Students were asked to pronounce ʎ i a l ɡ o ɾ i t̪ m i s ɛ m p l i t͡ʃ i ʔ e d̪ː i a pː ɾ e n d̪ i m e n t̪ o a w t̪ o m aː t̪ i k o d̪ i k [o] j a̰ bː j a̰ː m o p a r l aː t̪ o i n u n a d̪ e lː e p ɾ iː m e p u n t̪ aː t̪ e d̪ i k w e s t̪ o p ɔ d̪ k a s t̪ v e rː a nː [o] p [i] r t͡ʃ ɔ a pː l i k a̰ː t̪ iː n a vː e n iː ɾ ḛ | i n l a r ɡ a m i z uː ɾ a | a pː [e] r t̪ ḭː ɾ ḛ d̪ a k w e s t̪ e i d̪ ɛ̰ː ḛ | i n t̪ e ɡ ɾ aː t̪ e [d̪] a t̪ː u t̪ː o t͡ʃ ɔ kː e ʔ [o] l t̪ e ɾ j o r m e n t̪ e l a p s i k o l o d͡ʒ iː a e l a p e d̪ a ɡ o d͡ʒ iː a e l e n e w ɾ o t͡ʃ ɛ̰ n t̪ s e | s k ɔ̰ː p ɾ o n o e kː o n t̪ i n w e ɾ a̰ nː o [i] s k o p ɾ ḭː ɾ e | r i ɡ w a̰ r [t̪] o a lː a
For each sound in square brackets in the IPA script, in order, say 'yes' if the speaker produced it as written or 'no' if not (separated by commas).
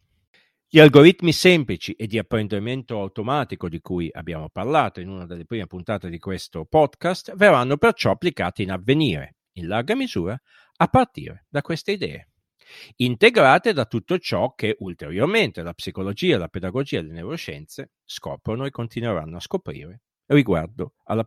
no, yes, no, no, yes, no, no, no